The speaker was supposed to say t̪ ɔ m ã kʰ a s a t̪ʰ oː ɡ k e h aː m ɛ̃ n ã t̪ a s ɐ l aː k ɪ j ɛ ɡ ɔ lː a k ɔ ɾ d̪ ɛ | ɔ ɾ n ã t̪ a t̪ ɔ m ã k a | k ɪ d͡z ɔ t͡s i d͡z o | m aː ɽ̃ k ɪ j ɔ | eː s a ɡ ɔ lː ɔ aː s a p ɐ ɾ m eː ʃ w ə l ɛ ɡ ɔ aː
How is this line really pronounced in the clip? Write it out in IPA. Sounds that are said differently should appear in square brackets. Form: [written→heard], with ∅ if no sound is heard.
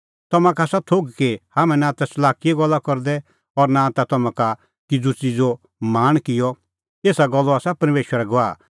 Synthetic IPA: t̪ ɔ m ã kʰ a s a t̪ʰ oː ɡ k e h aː m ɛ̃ n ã t̪ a s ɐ l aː k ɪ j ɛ ɡ ɔ lː a k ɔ ɾ d̪ ɛ | ɔ ɾ n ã t̪ a t̪ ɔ m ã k a | k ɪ d͡z [ɔ→u] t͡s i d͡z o | m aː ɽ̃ k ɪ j ɔ | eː s a ɡ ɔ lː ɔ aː s a p ɐ ɾ m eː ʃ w ə [l→ɾ] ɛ ɡ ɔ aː